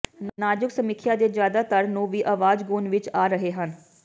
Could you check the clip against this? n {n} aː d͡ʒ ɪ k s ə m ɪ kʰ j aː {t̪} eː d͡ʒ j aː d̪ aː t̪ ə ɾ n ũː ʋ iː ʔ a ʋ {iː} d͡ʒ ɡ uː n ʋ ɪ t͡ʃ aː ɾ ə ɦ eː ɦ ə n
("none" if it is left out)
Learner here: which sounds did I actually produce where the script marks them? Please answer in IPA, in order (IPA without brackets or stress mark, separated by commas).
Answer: n, d̪, aː